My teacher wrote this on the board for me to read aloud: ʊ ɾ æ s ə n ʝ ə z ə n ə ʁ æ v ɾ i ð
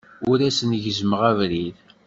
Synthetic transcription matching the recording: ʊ ɾ æ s ə n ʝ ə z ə m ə ʁ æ v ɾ i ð